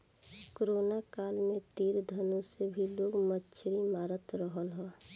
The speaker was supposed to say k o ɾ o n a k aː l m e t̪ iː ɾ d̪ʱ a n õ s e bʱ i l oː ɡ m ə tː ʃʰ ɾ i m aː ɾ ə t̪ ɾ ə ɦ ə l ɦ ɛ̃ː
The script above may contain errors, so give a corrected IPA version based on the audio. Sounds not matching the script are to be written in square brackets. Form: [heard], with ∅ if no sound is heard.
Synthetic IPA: k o ɾ o n a k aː l m e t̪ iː ɾ d̪ʱ [ə] n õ s e bʱ i l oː ɡ m ə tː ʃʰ ɾ i m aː ɾ ə t̪ ɾ ə ɦ ə l ɦ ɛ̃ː